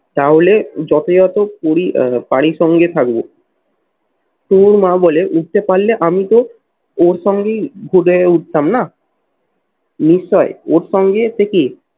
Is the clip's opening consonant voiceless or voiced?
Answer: voiceless